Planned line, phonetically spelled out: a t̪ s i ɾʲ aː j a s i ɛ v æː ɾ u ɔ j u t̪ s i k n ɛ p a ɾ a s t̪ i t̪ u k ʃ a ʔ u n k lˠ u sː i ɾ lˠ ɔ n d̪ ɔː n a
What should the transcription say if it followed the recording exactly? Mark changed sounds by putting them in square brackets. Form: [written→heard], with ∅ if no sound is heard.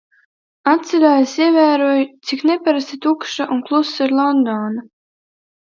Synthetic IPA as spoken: a t̪ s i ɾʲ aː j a s i ɛ v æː ɾ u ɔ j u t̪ s i k n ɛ p a ɾ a s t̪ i t̪ u k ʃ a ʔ u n k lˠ u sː i ɾ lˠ ɔ n d̪ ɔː n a